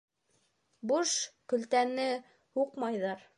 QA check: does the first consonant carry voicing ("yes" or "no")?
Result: yes